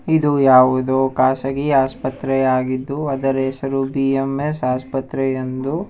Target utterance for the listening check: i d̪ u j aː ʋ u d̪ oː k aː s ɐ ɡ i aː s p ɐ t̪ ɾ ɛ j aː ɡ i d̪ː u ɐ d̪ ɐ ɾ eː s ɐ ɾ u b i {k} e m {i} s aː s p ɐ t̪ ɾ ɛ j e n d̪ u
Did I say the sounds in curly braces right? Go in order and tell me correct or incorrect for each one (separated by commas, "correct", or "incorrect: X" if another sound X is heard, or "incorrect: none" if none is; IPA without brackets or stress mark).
incorrect: none, incorrect: e